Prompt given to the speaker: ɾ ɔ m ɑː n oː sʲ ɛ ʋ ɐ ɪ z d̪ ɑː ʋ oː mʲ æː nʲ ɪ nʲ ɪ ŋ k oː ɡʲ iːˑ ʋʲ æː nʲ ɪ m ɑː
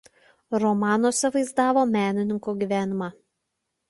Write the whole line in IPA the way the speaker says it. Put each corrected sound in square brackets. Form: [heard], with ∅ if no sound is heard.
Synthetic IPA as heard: ɾ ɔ m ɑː n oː sʲ ɛ ʋ ɐ ɪ z d̪ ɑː ʋ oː mʲ æː nʲ ɪ nʲ ɪ ŋ k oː ɡʲ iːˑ ʋʲ æː nʲ ɪ m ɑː